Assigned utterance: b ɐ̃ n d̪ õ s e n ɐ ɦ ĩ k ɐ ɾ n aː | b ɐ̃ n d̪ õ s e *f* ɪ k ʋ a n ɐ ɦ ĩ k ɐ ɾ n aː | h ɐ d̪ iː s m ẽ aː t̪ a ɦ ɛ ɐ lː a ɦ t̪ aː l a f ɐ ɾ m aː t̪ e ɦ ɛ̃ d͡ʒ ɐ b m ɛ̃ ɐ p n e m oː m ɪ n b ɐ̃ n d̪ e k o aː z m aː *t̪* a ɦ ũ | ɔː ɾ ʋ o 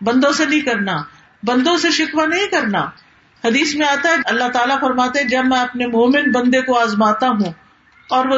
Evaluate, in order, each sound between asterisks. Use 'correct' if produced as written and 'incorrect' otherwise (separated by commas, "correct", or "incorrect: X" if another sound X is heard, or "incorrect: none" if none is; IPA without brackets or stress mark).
incorrect: ʃ, correct